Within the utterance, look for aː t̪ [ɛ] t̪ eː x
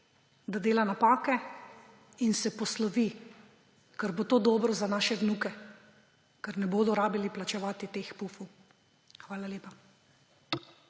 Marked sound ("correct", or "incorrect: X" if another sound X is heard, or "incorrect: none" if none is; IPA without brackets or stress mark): incorrect: i